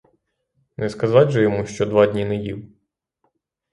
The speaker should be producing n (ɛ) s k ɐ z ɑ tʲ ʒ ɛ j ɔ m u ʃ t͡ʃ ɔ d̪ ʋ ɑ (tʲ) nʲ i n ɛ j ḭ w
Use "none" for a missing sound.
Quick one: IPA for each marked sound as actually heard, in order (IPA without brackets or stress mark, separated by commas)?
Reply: ɛ, dʲ